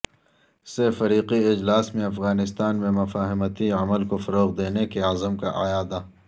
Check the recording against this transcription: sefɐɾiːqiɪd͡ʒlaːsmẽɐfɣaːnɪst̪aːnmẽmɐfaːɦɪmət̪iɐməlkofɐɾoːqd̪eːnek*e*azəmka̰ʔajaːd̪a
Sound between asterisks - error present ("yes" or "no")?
no